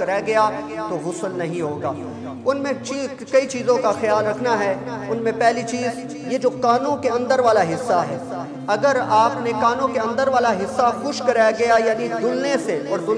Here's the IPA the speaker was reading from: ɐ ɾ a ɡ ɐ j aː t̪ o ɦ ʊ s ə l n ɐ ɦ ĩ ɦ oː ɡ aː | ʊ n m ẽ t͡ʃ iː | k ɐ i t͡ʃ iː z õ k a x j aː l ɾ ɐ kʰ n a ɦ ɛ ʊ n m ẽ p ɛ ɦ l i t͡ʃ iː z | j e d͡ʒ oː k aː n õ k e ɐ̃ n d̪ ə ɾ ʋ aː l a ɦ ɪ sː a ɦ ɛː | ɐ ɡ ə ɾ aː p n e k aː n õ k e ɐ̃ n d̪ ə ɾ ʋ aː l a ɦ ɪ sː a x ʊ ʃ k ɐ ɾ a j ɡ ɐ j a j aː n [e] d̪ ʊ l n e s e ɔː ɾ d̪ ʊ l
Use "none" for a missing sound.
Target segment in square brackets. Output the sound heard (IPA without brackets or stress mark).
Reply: i